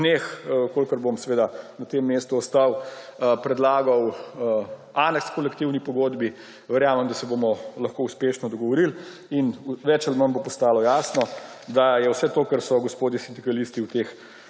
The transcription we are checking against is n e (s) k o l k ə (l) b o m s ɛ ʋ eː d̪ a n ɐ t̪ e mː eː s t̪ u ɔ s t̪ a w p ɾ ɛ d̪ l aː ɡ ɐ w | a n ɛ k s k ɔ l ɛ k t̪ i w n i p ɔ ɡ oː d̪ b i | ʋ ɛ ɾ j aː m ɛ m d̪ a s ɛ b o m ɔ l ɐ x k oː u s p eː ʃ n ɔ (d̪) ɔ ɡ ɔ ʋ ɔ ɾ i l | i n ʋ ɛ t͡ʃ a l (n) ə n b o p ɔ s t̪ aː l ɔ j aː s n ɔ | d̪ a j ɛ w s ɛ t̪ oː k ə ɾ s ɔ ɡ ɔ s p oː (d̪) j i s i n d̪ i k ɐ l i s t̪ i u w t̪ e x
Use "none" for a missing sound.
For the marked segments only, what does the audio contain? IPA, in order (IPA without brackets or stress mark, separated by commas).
x, ɾ, d̪, m, d̪